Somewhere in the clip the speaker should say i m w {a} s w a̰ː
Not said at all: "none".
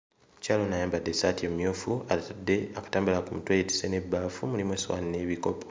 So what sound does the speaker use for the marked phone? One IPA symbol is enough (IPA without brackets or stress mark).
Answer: e